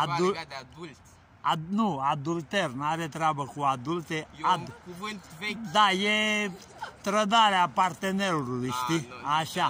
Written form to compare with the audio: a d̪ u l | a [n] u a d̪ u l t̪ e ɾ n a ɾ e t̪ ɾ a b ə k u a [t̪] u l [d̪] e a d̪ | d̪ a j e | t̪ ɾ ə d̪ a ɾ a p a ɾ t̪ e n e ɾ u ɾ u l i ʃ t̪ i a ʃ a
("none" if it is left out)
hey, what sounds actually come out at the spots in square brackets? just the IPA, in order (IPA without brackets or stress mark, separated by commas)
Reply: n, d̪, t̪